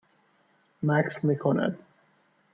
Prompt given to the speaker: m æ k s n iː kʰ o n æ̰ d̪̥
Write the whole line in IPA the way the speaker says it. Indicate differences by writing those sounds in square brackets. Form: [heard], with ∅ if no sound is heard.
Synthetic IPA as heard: m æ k s [m] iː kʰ o n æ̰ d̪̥